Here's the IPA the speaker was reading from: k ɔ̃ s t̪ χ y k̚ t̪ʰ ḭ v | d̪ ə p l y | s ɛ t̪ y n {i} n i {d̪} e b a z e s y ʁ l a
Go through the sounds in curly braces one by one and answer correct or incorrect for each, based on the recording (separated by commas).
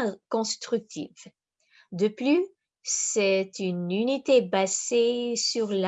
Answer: incorrect, incorrect